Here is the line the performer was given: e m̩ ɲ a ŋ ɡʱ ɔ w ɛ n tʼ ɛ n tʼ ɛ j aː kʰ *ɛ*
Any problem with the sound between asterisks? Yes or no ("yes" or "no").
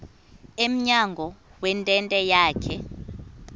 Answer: no